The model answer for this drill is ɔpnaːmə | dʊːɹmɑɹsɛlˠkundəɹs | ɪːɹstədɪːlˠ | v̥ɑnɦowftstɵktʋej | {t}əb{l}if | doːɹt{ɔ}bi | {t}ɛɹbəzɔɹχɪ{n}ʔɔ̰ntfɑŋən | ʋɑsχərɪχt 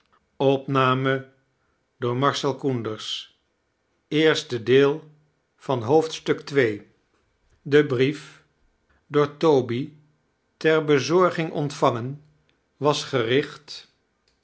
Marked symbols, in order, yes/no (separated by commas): no, no, no, yes, no